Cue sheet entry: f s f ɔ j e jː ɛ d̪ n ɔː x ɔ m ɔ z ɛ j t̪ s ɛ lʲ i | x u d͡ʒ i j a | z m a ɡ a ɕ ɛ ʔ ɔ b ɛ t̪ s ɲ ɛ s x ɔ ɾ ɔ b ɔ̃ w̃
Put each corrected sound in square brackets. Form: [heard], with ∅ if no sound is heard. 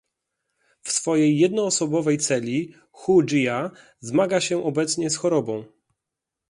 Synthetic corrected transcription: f s f ɔ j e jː ɛ d̪ n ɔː [s] ɔ [b] ɔ [v] ɛ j t̪ s ɛ lʲ i | x u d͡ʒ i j a | z m a ɡ a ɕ ɛ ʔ ɔ b ɛ t̪ s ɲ ɛ s x ɔ ɾ ɔ b ɔ̃ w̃